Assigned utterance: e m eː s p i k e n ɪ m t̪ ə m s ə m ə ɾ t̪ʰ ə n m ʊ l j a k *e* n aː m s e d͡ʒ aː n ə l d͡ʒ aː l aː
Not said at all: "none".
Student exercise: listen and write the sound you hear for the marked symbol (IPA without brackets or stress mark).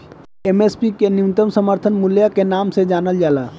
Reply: e